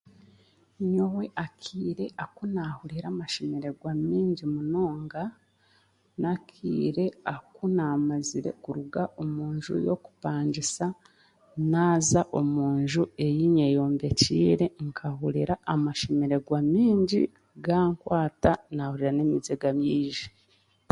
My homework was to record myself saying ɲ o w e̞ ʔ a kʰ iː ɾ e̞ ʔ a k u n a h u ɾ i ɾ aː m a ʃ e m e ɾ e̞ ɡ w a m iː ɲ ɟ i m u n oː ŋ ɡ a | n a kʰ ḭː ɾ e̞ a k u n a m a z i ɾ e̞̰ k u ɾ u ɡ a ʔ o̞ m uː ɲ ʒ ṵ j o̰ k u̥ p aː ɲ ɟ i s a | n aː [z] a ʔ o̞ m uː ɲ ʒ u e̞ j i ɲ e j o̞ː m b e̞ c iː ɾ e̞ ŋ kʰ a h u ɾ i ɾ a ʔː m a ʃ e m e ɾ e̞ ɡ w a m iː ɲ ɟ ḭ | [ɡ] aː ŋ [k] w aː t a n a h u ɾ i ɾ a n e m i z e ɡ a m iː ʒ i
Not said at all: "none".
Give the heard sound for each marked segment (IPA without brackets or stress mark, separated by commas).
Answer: z, ɡ, k